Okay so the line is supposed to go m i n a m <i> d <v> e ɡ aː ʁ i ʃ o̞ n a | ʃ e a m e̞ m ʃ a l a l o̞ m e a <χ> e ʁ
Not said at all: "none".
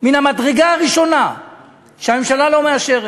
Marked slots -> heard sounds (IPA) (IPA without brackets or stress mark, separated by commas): a, ʁ, ʃ